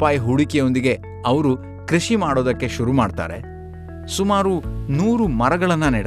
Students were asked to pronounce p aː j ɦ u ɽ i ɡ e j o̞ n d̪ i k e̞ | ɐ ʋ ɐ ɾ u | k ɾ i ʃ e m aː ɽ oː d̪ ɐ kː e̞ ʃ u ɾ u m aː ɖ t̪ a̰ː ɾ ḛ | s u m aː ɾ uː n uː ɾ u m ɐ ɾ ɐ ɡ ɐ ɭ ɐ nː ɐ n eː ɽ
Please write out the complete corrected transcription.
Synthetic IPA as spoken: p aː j ɦ u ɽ i k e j o̞ n d̪ i ɡ e̞ | ɐ ʋ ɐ ɾ u | k ɾ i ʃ i m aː ɽ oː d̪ ɐ kː e̞ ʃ u ɾ u m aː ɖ t̪ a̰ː ɾ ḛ | s u m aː ɾ u n uː ɾ u m ɐ ɾ ɐ ɡ ɐ ɭ ɐ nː ɐ n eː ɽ